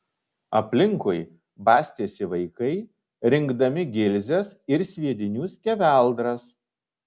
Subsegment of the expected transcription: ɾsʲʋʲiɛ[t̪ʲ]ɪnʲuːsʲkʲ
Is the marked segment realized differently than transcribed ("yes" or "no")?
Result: yes